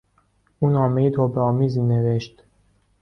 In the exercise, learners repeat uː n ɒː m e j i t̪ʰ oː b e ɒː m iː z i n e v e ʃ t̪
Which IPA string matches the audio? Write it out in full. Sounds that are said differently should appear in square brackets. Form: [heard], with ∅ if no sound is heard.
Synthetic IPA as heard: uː n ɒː m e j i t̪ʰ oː b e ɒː m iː z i n e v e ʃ t̪